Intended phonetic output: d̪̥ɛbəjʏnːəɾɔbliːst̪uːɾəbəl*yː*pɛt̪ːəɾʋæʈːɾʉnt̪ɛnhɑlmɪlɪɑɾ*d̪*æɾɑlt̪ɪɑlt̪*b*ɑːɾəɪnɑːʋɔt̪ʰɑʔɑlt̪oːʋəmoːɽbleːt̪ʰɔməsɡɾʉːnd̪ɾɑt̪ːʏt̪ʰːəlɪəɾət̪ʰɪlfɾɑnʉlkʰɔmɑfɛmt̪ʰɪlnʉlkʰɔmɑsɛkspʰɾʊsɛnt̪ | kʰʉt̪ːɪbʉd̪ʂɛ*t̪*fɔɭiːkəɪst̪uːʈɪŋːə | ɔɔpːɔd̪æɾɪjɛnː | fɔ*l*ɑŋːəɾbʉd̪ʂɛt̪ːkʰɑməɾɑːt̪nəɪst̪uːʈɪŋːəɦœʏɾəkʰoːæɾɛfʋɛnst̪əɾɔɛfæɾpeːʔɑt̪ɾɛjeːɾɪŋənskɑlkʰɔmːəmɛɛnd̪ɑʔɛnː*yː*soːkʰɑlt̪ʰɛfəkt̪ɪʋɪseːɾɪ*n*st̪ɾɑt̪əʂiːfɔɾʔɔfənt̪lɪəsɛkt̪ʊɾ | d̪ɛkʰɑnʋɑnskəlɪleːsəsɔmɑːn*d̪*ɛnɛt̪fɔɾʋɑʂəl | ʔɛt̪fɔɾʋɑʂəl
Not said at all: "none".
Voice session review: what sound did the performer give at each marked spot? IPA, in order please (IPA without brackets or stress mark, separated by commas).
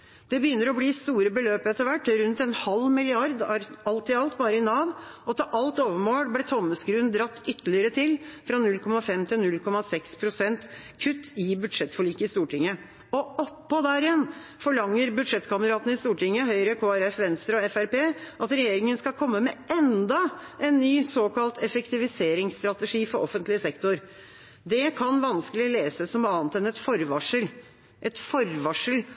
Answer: øː, d̪, b, t̪, ɭ, yː, ŋ, t̪